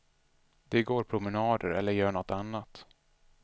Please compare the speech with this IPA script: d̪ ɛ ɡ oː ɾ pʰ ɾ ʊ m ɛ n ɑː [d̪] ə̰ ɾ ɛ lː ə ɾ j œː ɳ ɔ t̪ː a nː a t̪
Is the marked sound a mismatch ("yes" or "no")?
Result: no